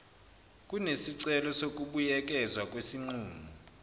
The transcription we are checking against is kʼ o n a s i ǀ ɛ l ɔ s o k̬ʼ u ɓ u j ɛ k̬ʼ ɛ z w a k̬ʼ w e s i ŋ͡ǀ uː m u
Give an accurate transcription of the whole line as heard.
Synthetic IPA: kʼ u n e s i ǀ ɛ l ɔ s o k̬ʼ u ɓ u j ɛ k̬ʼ ɛ z w a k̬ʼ w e s i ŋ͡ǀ uː m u